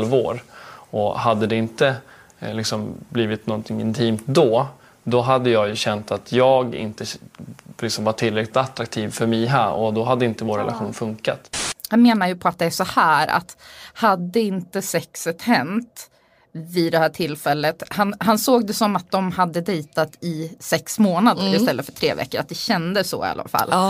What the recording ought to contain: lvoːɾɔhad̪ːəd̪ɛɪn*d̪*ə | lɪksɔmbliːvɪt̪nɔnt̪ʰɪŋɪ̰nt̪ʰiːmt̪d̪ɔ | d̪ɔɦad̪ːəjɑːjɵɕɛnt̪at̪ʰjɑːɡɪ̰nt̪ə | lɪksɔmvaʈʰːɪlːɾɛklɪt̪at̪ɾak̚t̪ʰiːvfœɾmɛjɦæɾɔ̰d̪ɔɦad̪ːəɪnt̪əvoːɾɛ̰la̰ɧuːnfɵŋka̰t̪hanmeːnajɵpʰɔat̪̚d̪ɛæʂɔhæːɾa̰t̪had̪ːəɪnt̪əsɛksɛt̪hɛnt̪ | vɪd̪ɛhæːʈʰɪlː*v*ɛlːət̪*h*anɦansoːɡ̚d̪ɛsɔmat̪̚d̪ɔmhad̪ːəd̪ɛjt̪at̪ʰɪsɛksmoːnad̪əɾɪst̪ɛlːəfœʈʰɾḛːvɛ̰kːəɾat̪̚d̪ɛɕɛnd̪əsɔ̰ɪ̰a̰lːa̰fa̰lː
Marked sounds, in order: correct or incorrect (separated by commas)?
incorrect, incorrect, correct